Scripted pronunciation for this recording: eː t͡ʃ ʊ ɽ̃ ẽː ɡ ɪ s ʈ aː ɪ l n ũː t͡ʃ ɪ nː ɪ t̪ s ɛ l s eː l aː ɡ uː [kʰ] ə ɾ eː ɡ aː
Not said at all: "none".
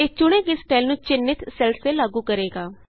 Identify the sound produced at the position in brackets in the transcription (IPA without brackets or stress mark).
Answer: k